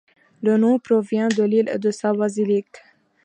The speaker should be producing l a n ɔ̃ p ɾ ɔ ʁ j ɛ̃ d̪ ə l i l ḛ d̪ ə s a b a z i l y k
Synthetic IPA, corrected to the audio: l ə n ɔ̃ p ɾ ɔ v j ɛ̃ d̪ ə l i l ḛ d̪ ə s a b a z i l i k